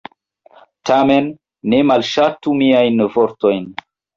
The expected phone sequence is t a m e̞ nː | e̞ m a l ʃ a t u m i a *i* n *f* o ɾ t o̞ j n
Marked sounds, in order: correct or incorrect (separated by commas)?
incorrect, incorrect